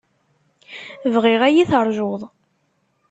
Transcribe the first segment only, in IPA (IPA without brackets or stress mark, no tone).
v